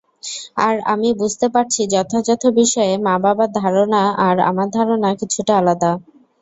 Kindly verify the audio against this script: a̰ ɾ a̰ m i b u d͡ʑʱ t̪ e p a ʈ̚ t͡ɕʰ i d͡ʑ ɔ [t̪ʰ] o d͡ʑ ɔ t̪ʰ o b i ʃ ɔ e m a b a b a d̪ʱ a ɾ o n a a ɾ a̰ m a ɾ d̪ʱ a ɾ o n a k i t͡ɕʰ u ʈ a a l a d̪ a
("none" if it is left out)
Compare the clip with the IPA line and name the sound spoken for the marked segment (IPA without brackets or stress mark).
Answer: t̪ʰ